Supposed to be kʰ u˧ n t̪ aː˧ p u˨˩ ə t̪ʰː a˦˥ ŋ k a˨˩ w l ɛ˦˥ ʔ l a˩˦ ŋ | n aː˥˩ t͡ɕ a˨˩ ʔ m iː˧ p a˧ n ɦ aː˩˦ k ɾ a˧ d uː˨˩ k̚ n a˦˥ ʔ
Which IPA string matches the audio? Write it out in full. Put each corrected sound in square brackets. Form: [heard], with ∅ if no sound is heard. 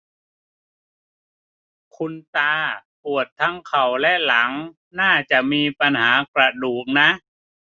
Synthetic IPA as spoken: kʰ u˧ n t̪ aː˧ p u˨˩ ə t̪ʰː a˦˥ ŋ [kʰ] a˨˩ w l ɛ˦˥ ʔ l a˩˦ ŋ | n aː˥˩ t͡ɕ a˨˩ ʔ m iː˧ p a˧ n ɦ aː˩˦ k ɾ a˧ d uː˨˩ k̚ n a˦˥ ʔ